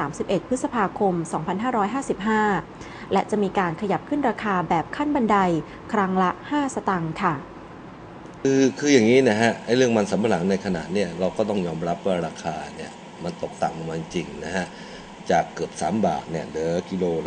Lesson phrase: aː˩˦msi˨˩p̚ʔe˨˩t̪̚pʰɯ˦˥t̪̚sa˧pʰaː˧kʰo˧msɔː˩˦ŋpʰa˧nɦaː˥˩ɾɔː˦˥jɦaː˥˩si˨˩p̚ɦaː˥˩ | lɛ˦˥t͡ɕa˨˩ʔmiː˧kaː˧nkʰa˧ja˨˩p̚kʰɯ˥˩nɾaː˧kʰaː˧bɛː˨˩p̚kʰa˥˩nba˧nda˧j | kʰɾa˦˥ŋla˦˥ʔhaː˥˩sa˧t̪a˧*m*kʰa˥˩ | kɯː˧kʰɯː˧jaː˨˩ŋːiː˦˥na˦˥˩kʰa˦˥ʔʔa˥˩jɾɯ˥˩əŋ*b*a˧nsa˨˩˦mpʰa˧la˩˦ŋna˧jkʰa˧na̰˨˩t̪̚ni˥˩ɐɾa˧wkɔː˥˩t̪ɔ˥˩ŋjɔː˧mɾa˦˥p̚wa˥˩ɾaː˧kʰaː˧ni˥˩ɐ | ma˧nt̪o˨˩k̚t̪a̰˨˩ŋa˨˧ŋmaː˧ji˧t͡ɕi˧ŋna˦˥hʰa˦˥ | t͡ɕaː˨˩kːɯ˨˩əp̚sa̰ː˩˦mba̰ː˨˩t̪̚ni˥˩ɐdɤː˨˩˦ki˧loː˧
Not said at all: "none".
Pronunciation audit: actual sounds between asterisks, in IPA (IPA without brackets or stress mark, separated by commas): ŋ, m